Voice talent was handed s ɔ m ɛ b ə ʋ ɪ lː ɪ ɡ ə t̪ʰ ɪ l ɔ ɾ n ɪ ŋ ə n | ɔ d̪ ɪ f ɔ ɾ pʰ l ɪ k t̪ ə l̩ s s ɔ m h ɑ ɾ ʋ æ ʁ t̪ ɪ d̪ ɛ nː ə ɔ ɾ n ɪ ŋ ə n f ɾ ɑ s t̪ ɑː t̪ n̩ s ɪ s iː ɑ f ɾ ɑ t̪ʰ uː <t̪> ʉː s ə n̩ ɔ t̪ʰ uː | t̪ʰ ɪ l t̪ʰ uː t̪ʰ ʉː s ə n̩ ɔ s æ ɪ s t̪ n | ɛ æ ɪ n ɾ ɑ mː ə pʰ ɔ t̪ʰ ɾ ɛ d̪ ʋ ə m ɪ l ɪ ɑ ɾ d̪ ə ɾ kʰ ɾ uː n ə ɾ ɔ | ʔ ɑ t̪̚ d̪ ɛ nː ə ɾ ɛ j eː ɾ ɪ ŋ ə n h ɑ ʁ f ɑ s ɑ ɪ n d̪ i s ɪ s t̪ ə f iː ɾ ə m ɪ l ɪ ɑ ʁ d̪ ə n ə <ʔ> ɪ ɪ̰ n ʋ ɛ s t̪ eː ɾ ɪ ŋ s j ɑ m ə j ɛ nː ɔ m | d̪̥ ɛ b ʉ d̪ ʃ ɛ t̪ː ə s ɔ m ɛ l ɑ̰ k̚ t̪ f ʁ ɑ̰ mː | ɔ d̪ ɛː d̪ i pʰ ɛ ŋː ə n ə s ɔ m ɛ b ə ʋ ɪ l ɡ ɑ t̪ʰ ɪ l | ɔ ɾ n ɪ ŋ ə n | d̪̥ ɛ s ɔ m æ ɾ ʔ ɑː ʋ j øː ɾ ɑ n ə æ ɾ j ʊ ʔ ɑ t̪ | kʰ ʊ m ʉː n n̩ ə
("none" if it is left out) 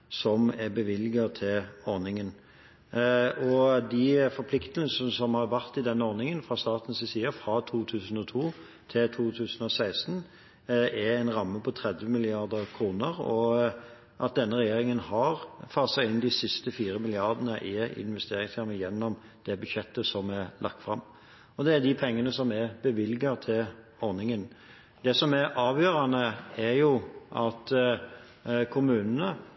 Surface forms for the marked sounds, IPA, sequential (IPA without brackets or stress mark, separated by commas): t̪ʰ, ʔ